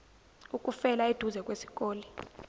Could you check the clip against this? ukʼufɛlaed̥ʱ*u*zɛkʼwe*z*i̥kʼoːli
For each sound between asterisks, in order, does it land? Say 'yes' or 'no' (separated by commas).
yes, no